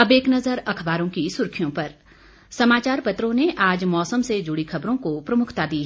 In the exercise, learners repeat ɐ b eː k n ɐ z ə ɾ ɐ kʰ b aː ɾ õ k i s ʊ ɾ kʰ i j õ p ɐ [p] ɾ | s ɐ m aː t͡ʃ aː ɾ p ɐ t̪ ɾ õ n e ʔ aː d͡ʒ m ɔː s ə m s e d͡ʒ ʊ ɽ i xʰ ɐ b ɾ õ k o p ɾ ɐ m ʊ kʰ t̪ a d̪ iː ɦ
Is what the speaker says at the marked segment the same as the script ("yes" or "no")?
no